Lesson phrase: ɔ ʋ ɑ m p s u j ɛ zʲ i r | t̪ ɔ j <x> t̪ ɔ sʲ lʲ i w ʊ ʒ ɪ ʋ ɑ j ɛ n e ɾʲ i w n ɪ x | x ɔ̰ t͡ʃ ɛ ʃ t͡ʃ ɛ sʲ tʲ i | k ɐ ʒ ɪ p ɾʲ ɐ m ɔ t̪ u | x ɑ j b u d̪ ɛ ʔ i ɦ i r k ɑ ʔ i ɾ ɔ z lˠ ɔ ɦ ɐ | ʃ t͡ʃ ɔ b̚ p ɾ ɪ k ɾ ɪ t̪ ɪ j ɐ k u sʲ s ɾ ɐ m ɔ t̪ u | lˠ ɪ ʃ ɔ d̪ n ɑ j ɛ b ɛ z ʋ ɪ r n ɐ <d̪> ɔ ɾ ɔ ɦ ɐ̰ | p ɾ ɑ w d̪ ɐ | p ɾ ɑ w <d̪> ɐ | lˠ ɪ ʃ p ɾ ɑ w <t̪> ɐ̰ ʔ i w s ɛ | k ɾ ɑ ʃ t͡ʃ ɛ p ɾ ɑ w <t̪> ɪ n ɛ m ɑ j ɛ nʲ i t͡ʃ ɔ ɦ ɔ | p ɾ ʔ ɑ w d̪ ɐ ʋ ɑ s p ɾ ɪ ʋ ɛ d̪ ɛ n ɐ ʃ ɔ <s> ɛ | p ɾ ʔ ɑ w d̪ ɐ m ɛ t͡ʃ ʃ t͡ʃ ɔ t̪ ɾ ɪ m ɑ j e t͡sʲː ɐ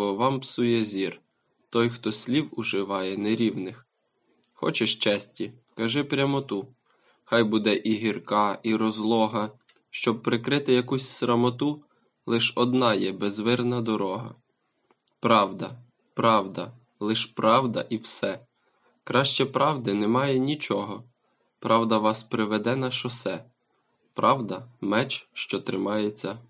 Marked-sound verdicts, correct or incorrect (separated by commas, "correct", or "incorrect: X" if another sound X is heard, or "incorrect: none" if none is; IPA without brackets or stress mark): correct, correct, correct, incorrect: d̪, incorrect: d̪, correct